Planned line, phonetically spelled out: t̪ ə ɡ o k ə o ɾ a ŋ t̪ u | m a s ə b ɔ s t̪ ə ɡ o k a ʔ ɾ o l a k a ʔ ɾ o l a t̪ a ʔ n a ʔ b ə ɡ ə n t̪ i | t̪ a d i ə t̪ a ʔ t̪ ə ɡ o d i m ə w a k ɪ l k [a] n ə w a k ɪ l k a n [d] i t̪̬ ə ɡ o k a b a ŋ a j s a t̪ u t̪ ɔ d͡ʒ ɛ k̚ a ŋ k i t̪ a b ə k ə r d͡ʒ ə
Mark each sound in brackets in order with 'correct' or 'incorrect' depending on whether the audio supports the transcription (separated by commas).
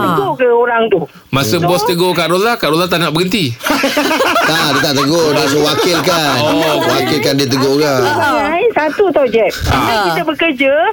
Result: correct, correct